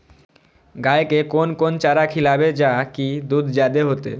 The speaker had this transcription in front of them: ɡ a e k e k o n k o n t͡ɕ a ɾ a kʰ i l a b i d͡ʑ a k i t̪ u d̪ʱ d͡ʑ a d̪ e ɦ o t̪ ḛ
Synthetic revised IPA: ɡ a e k e k o n k o n t͡ɕ a ɾ a kʰ i l a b e d͡ʑ a k i d̪ u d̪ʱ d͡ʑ a d̪ e ɦ o t̪ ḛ